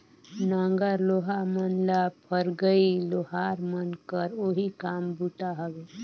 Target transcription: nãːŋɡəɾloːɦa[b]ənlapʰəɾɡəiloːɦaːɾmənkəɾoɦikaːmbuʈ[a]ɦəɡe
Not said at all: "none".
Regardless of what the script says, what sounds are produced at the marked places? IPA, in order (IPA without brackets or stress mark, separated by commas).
m, a